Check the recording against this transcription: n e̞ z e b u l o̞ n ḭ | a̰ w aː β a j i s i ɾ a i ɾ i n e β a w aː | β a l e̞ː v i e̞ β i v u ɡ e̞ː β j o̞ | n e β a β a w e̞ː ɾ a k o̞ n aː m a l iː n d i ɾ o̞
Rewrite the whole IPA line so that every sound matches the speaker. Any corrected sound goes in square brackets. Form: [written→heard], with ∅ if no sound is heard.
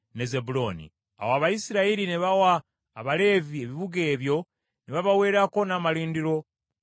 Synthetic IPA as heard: n e̞ z e b u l o̞ n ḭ | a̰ w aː β a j i s i ɾ a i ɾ i n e β a w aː | β a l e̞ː v i e̞ β i [v→β] u ɡ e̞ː β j o̞ | n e β a β a w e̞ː ɾ a k o̞ n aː m a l iː n d i ɾ o̞